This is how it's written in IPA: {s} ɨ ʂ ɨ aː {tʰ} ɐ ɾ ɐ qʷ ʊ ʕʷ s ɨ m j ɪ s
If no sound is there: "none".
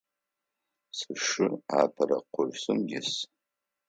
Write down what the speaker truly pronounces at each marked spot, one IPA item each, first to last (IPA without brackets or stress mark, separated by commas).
s, pʰ